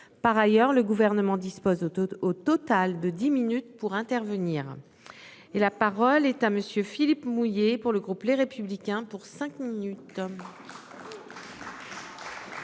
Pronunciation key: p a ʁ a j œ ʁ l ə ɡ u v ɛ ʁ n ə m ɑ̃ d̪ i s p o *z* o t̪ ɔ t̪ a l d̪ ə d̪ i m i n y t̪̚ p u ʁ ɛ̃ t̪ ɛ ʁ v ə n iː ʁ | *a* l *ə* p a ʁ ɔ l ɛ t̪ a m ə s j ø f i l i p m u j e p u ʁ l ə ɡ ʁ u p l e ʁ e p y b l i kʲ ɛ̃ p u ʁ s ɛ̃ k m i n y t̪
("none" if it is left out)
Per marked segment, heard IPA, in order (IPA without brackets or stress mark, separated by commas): z, e, a